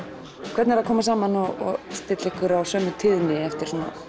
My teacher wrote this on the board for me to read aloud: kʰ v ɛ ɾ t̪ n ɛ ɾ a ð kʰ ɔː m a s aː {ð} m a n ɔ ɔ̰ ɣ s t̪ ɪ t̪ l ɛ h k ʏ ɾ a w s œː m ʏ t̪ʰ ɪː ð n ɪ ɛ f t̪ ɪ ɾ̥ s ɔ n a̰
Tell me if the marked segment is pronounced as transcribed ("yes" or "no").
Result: no